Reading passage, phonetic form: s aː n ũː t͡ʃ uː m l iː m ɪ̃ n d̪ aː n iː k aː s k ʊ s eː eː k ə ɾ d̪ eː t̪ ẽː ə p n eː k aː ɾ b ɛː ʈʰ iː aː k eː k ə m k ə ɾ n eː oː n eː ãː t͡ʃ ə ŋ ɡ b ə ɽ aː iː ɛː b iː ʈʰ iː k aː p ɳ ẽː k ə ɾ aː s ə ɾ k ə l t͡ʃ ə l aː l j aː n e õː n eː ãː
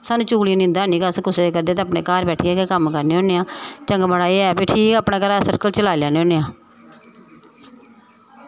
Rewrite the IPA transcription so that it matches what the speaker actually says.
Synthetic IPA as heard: s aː n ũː t͡ʃ uː l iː n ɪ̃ n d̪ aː n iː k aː s k ʊ s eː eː k ə ɾ d̪ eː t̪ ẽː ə p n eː k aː ɾ b ɛː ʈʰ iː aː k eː k ə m k ə ɾ n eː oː n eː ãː t͡ʃ ə ŋ ɡ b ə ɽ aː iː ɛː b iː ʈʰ iː k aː p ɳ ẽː k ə ɾ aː s ə ɾ k ə l t͡ʃ ə l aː l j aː n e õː n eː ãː